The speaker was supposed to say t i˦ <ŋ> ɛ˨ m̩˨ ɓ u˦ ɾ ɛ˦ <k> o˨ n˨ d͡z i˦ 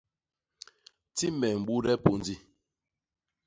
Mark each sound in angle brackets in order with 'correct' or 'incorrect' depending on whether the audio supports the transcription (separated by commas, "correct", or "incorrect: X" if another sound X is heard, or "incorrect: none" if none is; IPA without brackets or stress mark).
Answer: incorrect: m, incorrect: p